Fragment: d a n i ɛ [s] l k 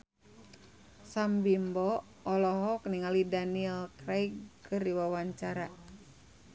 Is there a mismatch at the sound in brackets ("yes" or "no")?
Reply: yes